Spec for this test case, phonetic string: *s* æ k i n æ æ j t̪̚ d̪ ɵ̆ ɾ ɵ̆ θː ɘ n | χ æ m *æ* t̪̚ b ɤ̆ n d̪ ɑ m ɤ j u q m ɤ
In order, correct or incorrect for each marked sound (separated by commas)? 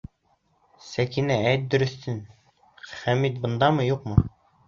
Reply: correct, incorrect